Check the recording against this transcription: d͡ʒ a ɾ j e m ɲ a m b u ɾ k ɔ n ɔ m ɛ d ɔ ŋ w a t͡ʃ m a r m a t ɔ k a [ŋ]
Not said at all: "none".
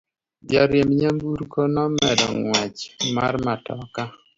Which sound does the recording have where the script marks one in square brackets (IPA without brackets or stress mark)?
none